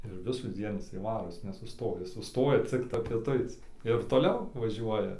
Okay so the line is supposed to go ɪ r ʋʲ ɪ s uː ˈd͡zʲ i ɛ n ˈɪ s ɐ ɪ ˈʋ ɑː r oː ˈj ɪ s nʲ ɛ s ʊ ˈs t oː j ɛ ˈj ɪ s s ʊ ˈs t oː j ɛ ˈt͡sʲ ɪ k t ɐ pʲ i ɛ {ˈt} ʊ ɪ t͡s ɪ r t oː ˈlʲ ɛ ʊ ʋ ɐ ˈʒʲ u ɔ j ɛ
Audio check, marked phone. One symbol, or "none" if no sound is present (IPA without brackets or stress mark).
t